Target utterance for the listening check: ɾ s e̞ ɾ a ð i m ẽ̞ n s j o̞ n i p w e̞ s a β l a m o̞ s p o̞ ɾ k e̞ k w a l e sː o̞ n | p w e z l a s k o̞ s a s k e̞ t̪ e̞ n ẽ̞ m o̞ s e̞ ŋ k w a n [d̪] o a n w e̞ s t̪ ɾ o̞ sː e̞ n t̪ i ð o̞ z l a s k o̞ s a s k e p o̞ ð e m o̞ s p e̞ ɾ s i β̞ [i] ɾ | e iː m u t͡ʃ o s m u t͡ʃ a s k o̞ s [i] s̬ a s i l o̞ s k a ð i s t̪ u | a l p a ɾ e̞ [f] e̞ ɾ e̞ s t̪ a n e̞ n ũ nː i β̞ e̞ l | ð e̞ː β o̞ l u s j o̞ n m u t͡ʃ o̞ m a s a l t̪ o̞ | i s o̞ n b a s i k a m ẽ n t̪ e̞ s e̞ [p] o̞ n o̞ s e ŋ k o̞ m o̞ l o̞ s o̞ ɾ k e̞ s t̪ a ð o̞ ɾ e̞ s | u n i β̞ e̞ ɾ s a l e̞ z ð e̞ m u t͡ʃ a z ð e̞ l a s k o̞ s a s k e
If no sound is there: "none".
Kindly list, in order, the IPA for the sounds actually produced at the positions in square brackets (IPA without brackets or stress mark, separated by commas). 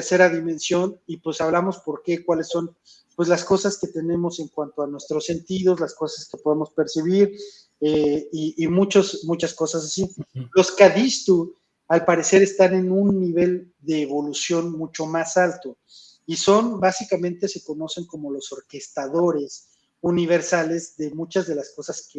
t̪, i, a, s, k